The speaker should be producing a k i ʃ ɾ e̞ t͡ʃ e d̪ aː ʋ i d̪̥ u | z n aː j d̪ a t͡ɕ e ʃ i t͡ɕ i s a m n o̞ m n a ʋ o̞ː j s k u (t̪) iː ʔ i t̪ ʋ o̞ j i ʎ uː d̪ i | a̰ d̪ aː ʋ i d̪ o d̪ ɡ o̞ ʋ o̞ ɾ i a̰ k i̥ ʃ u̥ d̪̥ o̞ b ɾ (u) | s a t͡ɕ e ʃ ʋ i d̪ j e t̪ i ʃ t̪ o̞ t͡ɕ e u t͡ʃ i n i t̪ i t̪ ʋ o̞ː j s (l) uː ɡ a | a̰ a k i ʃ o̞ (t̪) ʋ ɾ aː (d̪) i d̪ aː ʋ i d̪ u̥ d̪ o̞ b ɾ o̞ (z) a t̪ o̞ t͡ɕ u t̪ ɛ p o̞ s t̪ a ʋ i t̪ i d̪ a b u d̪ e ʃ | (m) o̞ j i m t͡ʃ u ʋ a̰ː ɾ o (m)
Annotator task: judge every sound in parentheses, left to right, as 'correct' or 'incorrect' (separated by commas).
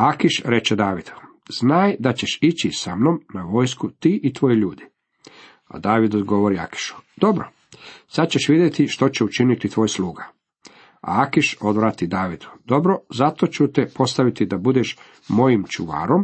correct, incorrect, correct, incorrect, incorrect, correct, correct, correct